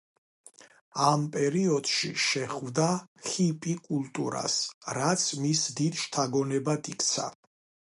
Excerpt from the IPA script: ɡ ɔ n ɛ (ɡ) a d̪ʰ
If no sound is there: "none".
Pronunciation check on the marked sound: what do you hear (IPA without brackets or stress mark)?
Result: b